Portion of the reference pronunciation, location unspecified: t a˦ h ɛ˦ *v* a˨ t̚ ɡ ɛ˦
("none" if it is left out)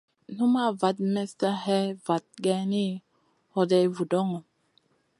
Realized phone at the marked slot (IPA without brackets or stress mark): v